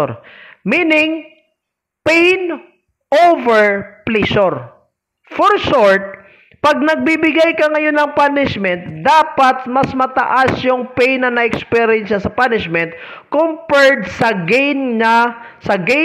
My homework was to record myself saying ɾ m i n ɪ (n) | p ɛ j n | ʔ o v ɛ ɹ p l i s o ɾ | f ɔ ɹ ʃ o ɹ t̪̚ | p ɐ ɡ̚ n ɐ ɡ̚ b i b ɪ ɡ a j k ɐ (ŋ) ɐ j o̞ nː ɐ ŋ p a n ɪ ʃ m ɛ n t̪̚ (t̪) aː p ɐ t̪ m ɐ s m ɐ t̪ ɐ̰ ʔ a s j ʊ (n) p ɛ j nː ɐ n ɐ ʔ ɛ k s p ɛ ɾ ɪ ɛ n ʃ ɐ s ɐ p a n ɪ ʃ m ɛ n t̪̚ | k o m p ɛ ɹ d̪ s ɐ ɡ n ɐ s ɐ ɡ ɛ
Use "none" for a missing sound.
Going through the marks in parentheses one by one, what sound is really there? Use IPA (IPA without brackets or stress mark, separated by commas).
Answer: ŋ, ŋ, d̪, ŋ